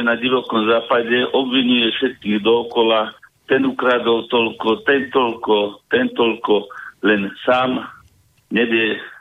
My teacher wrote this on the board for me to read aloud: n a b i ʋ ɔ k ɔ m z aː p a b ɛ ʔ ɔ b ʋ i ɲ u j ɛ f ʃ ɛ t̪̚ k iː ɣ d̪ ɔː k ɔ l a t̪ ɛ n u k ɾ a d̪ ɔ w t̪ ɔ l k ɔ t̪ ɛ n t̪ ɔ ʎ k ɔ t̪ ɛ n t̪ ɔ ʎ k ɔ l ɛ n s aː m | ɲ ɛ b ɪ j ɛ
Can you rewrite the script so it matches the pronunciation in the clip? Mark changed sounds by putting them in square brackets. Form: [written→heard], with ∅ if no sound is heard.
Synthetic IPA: n a [b→ɟ] i ʋ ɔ k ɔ m z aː p a [b→ɟ] ɛ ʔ ɔ b ʋ i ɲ u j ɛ f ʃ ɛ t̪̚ k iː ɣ d̪ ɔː k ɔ l a t̪ ɛ n u k ɾ a d̪ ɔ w t̪ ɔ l k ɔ t̪ ɛ n t̪ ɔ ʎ k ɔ t̪ ɛ n t̪ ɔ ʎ k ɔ l ɛ n s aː m | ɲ ɛ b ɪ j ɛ